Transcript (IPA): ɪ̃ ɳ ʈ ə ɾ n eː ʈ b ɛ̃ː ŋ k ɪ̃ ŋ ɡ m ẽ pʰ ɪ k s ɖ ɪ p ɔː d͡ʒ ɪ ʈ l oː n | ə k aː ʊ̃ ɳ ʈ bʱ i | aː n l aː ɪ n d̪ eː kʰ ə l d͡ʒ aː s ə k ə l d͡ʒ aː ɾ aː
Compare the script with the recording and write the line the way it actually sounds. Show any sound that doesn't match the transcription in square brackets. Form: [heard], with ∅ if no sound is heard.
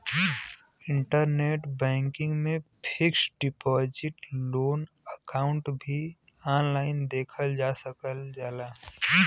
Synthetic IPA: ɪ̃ ɳ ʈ ə ɾ n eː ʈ b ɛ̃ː ŋ k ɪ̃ ŋ ɡ m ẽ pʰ ɪ k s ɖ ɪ p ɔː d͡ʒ ɪ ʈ l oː n | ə k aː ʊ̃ ɳ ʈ bʱ i | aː n l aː ɪ n d̪ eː kʰ ə l d͡ʒ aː s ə k ə l d͡ʒ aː [l] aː